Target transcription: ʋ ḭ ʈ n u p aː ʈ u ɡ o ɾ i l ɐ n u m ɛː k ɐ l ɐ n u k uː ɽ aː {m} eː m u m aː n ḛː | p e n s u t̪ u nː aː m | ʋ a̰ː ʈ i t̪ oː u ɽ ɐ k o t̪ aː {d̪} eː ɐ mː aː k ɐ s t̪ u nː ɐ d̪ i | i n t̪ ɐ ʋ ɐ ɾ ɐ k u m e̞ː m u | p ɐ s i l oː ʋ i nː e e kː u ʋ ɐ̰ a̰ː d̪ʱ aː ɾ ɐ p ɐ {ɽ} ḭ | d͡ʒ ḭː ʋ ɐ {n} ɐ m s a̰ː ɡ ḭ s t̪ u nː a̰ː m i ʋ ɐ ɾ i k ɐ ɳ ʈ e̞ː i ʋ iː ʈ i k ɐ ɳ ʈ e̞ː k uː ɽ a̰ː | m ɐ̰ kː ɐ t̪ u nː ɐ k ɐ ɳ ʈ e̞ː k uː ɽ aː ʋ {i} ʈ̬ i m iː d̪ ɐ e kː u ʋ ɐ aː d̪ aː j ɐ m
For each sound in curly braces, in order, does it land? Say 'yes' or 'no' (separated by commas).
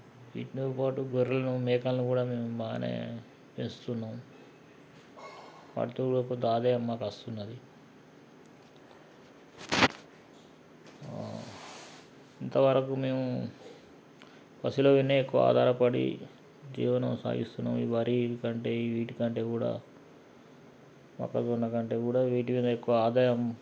yes, yes, yes, yes, no